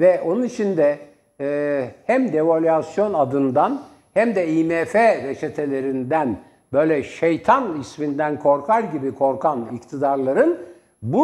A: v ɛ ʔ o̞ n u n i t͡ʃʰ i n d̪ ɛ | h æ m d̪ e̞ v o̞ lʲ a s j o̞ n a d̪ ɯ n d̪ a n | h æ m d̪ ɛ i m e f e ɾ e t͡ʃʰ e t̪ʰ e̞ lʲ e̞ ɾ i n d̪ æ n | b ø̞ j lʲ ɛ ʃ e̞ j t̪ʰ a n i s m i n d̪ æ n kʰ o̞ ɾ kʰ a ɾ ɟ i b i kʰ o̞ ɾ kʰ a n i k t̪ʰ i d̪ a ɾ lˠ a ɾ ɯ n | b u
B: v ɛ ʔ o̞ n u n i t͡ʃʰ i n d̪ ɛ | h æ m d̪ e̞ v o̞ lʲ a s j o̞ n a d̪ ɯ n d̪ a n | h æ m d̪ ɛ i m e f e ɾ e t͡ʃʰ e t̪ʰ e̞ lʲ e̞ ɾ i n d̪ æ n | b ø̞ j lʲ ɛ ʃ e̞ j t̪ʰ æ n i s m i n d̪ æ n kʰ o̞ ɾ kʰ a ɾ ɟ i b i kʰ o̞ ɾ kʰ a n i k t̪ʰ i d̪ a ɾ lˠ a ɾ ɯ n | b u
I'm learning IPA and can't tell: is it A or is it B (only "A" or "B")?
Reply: A